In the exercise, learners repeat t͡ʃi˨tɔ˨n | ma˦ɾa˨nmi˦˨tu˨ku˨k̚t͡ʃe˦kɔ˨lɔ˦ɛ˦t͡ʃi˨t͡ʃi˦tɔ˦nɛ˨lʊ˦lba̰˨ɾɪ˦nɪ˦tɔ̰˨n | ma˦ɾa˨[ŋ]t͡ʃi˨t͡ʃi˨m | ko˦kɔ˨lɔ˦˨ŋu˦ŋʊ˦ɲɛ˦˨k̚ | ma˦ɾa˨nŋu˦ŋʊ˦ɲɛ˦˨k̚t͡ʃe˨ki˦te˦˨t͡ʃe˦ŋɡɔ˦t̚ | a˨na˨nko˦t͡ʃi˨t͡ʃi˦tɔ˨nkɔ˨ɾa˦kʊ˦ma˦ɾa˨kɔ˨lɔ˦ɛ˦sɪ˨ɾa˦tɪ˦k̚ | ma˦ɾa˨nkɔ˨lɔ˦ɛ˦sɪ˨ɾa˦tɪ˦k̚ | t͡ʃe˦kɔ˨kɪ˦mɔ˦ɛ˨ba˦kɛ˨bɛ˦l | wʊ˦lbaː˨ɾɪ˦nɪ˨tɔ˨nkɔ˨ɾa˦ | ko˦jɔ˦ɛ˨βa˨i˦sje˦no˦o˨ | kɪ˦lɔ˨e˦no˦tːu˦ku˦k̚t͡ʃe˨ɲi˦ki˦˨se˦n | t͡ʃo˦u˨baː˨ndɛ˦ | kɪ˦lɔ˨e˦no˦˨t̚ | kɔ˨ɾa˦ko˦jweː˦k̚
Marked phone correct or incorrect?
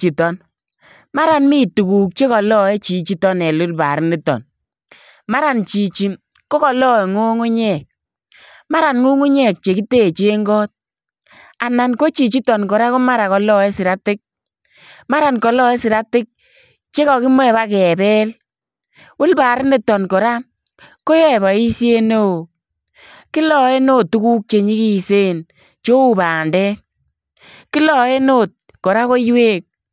incorrect